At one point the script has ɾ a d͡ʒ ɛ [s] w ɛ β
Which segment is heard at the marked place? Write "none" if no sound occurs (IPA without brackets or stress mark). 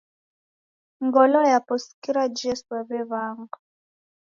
s